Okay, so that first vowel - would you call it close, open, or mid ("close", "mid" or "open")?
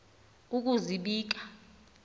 close